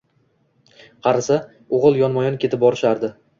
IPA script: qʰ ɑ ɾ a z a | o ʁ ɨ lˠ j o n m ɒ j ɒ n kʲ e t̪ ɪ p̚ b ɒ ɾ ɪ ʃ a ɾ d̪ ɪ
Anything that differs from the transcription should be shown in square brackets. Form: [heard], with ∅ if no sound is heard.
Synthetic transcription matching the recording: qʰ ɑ ɾ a [s] a | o ʁ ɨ lˠ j [ɒ] n m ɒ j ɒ n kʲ e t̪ ɪ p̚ b ɒ ɾ ɪ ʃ a ɾ d̪ ɪ